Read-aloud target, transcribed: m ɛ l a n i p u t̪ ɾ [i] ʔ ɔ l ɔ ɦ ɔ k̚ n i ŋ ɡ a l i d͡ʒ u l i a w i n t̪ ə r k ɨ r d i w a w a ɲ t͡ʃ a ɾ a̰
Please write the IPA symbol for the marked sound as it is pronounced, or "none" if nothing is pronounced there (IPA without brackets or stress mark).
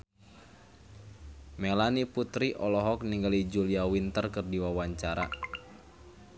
i